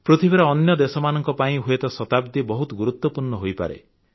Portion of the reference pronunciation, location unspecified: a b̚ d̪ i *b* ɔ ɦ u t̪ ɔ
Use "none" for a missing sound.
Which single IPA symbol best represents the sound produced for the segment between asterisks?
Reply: b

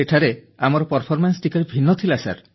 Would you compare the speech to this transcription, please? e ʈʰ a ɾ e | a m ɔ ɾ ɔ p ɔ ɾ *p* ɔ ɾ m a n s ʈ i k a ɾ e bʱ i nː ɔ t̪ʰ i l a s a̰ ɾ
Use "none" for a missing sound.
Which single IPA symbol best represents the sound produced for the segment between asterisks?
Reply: pʰ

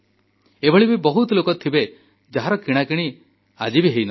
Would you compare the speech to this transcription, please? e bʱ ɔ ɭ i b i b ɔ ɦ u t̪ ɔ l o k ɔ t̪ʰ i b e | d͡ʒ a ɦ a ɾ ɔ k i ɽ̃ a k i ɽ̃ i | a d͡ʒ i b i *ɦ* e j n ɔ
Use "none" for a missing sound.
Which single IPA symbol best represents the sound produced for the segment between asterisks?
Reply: ɦ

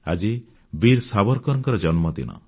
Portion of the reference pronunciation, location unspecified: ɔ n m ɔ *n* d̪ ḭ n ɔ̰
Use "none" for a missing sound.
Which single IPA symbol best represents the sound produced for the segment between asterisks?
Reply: none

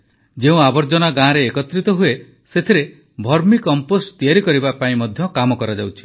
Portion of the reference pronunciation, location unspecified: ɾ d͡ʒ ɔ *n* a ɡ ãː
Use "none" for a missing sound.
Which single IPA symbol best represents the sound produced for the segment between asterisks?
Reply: n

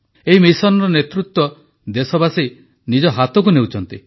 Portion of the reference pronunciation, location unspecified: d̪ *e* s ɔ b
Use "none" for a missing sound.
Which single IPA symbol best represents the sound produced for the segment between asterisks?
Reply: e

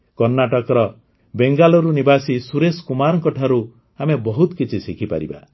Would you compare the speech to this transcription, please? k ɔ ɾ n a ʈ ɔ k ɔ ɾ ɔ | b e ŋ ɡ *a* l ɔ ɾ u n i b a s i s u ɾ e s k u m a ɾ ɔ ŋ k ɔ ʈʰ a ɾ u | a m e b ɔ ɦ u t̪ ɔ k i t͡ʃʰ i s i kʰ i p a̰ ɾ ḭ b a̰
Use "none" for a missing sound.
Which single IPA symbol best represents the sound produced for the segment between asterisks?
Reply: a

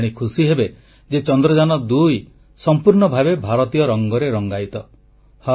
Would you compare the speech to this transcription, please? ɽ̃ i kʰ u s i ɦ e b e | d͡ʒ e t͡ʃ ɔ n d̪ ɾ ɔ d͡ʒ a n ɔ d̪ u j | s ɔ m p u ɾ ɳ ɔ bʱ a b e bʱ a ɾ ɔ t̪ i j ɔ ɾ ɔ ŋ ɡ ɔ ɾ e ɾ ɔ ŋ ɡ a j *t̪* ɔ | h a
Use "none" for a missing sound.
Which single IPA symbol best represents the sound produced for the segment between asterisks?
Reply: t̪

